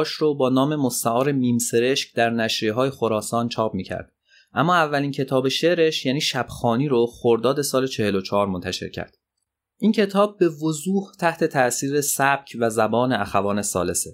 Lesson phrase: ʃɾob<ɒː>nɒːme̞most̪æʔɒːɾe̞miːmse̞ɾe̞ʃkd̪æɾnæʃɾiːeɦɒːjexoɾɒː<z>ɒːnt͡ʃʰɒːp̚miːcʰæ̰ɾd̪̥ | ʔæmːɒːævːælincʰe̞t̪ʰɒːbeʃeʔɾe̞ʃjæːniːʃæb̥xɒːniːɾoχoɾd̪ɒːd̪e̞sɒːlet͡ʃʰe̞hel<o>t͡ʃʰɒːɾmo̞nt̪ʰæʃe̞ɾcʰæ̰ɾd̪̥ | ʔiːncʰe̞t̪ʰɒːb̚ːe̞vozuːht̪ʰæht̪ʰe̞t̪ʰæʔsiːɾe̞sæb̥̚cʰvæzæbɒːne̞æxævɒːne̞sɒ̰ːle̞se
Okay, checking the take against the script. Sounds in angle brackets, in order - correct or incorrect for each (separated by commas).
correct, incorrect, correct